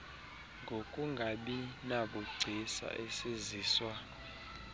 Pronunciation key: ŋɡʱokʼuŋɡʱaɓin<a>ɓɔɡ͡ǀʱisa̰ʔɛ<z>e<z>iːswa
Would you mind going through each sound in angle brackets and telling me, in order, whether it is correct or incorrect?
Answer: correct, incorrect: s, correct

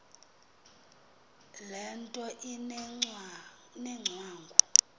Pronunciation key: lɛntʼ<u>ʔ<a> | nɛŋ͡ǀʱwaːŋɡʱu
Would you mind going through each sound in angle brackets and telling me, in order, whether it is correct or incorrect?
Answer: incorrect: ɔ, incorrect: i

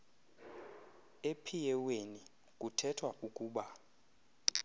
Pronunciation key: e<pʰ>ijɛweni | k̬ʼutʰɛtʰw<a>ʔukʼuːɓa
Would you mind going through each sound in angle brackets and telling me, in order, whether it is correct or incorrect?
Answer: correct, correct

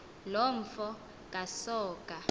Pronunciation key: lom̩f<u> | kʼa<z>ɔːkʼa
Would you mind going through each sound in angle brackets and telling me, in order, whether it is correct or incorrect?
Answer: incorrect: ɔ, incorrect: s

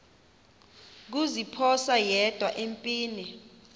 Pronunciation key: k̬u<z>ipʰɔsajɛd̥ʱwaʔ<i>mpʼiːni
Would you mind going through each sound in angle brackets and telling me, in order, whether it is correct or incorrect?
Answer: correct, incorrect: e

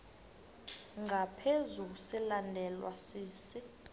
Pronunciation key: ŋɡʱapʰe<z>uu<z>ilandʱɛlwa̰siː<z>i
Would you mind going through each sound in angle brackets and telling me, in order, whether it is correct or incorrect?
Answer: correct, incorrect: s, incorrect: s

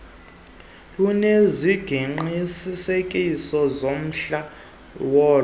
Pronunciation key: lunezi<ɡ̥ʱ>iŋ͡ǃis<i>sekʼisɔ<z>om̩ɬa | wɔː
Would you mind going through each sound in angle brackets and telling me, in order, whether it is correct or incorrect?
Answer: correct, correct, correct

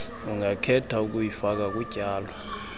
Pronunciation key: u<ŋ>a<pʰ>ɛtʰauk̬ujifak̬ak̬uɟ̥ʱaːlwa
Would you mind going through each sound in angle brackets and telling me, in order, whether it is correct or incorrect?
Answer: correct, incorrect: kʰ

